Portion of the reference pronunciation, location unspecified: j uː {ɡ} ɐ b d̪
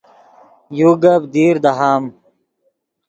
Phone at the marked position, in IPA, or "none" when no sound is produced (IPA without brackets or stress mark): ɡ